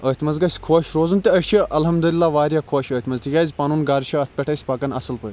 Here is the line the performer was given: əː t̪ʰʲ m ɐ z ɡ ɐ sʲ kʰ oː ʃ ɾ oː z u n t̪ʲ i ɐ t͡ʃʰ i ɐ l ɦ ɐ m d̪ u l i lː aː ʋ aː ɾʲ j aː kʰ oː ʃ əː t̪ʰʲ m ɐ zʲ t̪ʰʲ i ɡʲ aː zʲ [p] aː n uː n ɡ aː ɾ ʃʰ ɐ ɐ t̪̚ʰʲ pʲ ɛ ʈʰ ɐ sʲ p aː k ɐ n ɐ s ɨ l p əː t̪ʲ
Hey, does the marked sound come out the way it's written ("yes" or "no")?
yes